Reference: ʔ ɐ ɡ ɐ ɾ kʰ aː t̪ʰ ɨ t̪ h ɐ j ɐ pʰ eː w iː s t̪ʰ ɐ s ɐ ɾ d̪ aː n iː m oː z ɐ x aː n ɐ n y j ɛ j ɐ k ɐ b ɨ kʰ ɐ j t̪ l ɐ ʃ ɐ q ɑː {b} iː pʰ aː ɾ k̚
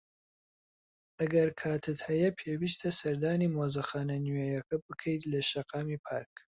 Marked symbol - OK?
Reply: no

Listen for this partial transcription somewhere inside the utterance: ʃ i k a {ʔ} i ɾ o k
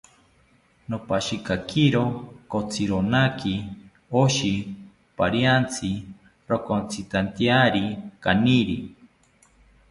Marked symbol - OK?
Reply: no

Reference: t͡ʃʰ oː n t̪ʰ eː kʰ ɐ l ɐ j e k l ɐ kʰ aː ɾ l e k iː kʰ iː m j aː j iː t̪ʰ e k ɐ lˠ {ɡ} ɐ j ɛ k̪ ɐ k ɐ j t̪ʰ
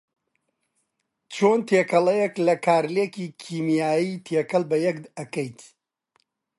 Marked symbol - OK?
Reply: no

